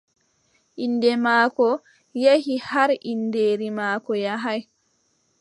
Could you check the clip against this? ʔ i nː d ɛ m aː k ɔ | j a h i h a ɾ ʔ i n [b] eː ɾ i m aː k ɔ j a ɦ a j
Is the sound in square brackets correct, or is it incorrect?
incorrect